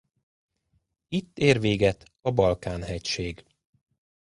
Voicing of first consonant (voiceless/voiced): voiceless